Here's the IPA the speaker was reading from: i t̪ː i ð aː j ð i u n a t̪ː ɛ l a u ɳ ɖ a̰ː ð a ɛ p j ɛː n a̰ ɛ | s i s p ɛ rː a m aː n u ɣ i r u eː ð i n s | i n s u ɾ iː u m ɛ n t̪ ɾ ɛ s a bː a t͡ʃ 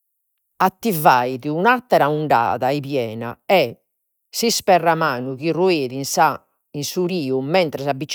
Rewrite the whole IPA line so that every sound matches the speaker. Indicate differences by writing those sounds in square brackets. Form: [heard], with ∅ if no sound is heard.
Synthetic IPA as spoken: [a] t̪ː i [v] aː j ð i u n a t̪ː ɛ [ɾ] a u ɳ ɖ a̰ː ð a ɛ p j ɛː n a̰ ɛ | s i s p ɛ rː a m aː n u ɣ i r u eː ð i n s | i n s u ɾ iː u m ɛ n t̪ ɾ ɛ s a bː [i] t͡ʃ